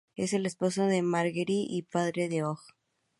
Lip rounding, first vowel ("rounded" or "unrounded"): unrounded